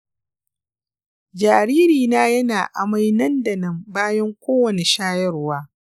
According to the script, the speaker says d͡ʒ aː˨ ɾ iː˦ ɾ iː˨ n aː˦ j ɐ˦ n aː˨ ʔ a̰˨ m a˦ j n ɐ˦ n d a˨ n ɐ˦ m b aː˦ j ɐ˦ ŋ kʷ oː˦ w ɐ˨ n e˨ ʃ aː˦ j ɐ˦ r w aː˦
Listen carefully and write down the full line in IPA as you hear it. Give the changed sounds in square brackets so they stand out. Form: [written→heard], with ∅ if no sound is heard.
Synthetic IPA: d͡ʒ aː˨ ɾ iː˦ ɾ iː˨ n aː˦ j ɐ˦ n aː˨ ʔ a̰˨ m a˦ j n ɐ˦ n d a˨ n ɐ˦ m b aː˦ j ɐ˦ ŋ kʷ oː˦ w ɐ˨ n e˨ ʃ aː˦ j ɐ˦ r w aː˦